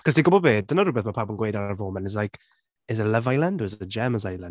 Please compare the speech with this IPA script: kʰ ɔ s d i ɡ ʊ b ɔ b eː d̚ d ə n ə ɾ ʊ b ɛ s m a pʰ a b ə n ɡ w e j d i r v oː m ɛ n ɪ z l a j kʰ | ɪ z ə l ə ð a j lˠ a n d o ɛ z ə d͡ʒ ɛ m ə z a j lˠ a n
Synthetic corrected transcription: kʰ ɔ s d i ɡ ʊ b ɔ b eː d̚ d ə n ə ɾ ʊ b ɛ θ m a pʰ a b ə n ɡ w e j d a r v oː m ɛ n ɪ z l a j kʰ | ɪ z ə l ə v a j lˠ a n d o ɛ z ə d͡ʒ ɛ m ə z a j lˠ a n